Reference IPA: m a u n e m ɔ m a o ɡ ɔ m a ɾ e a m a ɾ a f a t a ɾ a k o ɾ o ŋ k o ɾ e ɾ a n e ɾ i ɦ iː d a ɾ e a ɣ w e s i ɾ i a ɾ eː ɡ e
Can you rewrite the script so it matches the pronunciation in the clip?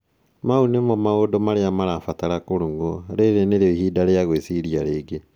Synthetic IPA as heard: m a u n e m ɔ m a o d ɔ m a ɾ e a m a ɾ a f a t a ɾ a k o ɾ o ŋ ɡ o ɾ e ɾ e n e ɾ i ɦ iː d a ɾ e a ɣ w e s i ɾ i a ɾ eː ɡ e